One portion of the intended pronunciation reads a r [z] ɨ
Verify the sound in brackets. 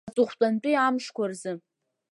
correct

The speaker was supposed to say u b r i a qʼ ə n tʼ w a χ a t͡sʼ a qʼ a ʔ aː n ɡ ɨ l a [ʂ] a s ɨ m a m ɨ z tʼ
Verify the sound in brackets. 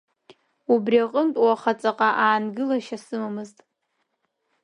incorrect: ʃ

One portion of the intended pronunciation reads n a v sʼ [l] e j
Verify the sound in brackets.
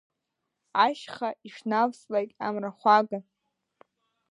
correct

